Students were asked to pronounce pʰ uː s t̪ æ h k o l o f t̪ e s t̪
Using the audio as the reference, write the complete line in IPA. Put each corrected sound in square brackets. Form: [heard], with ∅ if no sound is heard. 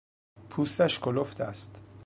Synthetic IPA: pʰ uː s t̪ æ [ʃ] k o l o f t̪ [æ] s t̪